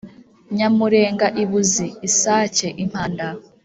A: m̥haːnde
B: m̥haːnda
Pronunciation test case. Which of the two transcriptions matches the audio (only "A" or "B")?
B